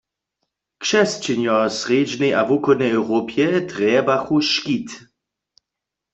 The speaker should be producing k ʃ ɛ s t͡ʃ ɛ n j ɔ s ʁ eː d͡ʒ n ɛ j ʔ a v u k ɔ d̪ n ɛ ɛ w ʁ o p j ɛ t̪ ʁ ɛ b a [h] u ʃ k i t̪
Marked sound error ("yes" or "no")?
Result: yes